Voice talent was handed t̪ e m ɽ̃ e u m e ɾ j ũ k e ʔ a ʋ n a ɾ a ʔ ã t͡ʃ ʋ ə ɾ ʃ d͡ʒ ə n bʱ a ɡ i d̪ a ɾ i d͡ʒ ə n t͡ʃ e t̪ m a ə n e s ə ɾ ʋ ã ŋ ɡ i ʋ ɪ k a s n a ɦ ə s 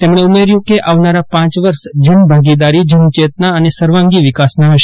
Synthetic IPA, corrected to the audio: t̪ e m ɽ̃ e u m e ɾ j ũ k e ʔ a ʋ n a ɾ a p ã t͡ʃ ʋ ə ɾ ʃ d͡ʒ ə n bʱ a ɡ i d̪ a ɾ i d͡ʒ ə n t͡ʃ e t̪ n a ə n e s ə ɾ ʋ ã ŋ ɡ i ʋ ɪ k a s n a ɦ ə ʃ

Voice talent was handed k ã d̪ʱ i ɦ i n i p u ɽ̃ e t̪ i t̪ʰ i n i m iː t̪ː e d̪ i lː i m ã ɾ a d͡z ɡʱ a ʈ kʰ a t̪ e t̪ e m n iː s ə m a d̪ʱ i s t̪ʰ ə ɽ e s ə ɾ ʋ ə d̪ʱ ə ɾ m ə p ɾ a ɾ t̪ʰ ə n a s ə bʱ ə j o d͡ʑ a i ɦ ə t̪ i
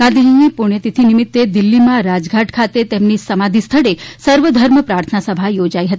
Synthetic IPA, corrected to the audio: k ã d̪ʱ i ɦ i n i p u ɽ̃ e t̪ i t̪ʰ i n i m i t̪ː e d̪ i lː i m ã ɾ a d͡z ɡʱ a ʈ kʰ a t̪ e t̪ e m n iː s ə m a d̪ʱ i s t̪ʰ ə ɽ e s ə ɾ ʋ ə d̪ʱ ə ɾ m ə p ɾ a ɾ t̪ʰ ə n a s ə bʱ a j o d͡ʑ a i ɦ ə t̪ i

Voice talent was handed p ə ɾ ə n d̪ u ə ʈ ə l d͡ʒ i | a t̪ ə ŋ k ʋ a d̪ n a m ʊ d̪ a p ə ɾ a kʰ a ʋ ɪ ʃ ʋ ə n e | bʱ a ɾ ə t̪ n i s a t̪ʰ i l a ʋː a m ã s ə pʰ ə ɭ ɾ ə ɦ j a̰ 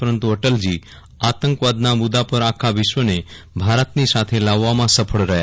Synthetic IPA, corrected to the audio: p ə ɾ ə n t̪ u ə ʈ ə l d͡ʒ i | a t̪ ə ŋ k ʋ a d̪ n a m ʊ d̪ a p ə ɾ a kʰ a ʋ ɪ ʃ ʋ ə n e | bʱ a ɾ ə t̪ n i s a t̪ʰ e l a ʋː a m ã s ə pʰ ə ɭ ɾ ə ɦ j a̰

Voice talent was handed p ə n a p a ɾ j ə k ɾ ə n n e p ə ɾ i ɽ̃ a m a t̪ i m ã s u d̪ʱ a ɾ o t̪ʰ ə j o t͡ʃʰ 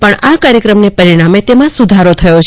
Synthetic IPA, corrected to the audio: p ə ɳ a k a ɾ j ə k ɾ ə m n e p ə ɾ i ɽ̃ a m e t̪ e m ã s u d̪ʱ a ɾ o t̪ʰ ə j o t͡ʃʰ

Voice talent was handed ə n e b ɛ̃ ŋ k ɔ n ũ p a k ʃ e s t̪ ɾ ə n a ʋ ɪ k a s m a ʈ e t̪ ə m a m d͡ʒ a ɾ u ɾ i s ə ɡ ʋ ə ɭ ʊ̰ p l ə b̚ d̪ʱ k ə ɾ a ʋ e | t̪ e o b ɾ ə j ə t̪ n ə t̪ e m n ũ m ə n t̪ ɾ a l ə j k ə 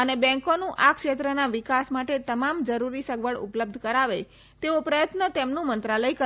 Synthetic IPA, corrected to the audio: ə n e b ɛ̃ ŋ k o n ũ ʔ a k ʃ e t̪ ɾ ə n a ʋ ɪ k a s m a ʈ e t̪ ə m a m d͡ʒ ə ɾ u ɾ i s ə ɡ ʋ ə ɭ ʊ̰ p l ə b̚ d̪ʱ k ə ɾ a ʋ e | t̪ e o p ɾ ə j ə t̪ n ə t̪ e m n ũ m ə n t̪ ɾ a l ə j k ə

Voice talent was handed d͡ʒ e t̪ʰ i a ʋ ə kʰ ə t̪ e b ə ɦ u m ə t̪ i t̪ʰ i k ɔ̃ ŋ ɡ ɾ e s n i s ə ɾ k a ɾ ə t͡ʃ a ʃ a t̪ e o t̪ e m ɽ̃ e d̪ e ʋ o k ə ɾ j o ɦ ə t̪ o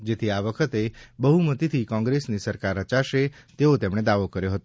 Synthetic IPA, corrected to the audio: d͡ʒ e t̪ʰ i a ʋ ə kʰ ə t̪ e b ə ɦ u m ə t̪ i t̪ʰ i k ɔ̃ ŋ ɡ ɾ e s n i s ə ɾ k a ɾ ə t͡ʃ a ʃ e t̪ e o t̪ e m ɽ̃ e d̪ a ʋ o k ə ɾ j o ɦ ə t̪ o

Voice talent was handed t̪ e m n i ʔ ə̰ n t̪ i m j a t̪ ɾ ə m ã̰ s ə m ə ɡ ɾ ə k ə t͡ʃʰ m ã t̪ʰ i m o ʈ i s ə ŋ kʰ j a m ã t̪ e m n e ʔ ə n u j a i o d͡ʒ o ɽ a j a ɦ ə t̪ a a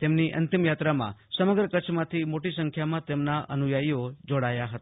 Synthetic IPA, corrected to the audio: t̪ e m n i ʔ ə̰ n t̪ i m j a t̪ ɾ a m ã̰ s ə m ə ɡ ɾ ə k ə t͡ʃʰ m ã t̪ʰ i m o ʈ i s ə ŋ kʰ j a m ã t̪ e m n a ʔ ə n u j a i o d͡ʒ o ɽ a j a ɦ ə t̪ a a

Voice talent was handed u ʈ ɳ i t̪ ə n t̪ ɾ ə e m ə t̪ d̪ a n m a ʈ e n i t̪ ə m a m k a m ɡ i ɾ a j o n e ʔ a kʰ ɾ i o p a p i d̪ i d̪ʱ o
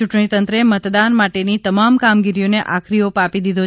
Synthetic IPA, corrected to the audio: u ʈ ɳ i t̪ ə n t̪ ɾ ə e m ə t̪ d̪ a n m a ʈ e n i t̪ ə m a m k a m ɡ i ɾ i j o n e ʔ a kʰ ɾ i o p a p i d̪ i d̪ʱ o

